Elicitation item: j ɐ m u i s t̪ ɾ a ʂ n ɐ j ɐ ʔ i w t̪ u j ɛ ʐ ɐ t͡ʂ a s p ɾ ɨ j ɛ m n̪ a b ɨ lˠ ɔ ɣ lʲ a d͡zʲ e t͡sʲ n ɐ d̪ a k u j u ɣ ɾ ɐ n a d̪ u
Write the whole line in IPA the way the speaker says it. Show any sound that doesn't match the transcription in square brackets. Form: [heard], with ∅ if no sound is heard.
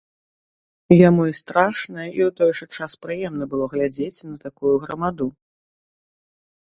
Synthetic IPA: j [a] m u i s t̪ ɾ a ʂ n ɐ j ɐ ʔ i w t̪ [ɔ] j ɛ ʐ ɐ t͡ʂ a s p ɾ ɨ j ɛ m n̪ [ɐ] b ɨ lˠ ɔ ɣ lʲ a d͡zʲ e t͡sʲ n ɐ [t̪] a k u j u ɣ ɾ ɐ [m] a d̪ u